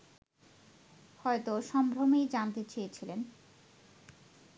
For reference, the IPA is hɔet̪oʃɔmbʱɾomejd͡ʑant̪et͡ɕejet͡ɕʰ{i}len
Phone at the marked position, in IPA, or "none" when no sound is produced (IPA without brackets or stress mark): i